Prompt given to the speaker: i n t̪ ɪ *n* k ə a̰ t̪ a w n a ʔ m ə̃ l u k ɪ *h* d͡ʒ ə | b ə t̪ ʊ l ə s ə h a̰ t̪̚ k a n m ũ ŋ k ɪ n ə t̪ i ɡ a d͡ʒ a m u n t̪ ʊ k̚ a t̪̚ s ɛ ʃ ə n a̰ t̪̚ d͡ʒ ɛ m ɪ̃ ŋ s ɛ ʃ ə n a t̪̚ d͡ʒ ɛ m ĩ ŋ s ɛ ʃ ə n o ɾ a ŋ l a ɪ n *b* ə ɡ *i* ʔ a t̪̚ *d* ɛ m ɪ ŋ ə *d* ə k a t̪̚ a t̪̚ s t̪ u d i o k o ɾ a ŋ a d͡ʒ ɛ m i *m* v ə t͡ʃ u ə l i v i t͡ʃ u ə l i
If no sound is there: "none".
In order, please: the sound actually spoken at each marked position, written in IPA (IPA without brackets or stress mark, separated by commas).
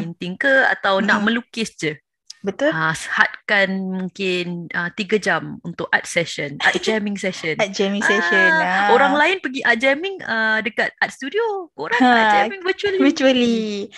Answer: ŋ, s, p, i, d͡ʒ, d, ŋ